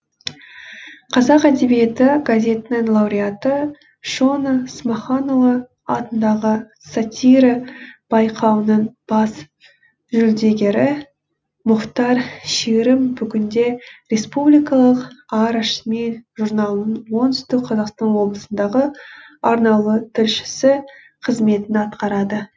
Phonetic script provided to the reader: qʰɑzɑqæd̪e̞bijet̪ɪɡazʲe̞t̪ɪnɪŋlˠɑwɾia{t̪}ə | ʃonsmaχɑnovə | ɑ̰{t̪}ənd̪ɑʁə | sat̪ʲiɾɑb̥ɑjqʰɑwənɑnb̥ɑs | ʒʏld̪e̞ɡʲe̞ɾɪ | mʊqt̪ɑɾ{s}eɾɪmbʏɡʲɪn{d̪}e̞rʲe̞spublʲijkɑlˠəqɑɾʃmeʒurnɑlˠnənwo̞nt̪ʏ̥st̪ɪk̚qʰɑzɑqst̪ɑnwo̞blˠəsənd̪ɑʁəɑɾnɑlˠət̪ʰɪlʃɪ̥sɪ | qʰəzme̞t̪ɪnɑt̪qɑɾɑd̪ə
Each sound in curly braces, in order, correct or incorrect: correct, correct, incorrect: ʃ, correct

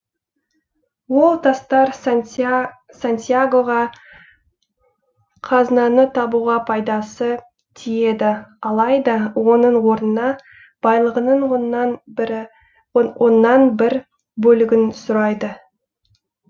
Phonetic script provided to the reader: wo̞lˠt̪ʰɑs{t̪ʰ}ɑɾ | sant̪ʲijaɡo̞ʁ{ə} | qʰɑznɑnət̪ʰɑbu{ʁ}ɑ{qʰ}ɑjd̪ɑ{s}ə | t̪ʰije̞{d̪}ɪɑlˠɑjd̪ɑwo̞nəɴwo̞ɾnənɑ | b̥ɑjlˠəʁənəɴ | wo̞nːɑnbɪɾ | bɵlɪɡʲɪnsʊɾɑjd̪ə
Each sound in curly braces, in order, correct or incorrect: incorrect: t̪, incorrect: ɑ, correct, incorrect: pʰ, correct, correct

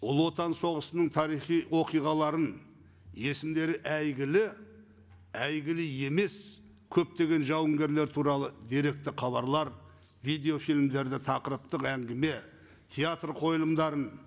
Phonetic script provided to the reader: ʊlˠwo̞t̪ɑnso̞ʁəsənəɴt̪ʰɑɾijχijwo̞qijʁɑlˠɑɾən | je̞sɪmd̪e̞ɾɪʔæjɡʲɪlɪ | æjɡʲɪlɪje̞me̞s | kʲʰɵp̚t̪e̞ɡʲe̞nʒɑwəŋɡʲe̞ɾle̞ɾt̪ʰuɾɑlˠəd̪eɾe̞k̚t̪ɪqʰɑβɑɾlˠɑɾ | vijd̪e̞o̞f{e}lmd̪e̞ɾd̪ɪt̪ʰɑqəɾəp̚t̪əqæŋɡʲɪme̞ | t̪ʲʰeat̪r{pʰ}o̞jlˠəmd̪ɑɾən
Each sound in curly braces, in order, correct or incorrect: incorrect: i, incorrect: qʰ

